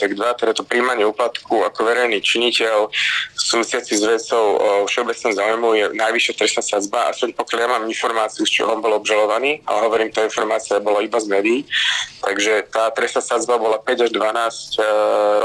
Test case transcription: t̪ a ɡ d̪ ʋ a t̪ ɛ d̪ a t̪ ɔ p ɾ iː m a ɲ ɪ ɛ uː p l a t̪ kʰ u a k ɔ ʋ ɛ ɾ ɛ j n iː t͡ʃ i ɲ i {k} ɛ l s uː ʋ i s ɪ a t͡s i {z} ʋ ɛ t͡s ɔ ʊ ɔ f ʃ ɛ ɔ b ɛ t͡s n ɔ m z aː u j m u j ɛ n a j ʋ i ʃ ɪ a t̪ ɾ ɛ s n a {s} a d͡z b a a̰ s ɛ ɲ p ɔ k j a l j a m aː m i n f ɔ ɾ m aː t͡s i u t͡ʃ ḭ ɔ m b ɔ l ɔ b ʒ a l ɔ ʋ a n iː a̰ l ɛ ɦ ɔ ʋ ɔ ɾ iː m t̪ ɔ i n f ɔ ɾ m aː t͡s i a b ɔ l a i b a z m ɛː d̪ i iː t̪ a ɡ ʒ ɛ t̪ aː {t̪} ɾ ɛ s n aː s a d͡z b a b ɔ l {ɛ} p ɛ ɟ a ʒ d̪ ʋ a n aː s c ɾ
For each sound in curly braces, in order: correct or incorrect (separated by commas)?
incorrect, correct, correct, correct, incorrect